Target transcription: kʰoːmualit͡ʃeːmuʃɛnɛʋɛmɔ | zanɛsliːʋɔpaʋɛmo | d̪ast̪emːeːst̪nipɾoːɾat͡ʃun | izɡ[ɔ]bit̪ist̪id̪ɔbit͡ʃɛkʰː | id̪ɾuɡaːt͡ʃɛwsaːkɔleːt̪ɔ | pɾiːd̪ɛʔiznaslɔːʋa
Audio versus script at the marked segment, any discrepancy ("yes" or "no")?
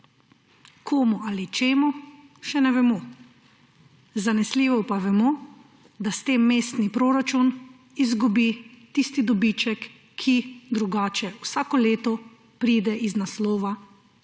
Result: yes